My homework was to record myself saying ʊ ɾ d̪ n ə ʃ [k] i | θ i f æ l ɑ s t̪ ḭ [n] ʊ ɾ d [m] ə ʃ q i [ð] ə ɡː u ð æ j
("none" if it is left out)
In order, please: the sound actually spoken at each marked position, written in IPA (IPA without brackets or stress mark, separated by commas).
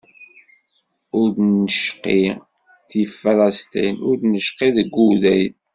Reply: q, n, n, ð